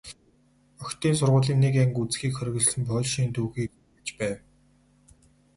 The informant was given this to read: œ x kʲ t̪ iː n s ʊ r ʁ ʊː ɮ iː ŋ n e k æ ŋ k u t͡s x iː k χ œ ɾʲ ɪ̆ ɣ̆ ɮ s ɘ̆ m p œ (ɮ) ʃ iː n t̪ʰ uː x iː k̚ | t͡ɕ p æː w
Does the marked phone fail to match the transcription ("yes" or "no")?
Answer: no